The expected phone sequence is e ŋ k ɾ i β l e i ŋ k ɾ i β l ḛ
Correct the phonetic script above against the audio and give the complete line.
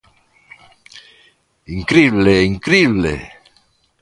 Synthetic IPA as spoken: i ŋ k ɾ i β l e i ŋ k ɾ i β l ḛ